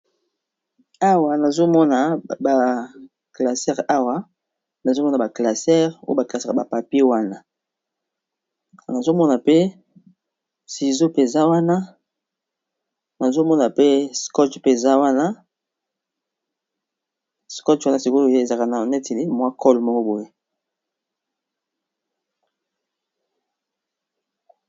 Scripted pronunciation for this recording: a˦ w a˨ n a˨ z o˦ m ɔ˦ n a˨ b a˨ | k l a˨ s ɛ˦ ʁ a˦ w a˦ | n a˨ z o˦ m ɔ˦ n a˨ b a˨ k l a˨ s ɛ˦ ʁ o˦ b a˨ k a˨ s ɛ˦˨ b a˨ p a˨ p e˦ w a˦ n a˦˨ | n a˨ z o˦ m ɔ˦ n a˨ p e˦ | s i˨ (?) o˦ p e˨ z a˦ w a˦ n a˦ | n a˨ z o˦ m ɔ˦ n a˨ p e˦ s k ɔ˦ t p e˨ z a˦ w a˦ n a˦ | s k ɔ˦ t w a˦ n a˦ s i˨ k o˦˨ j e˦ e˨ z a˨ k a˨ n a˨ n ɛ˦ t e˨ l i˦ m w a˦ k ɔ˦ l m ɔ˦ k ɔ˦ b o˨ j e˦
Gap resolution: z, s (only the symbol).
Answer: z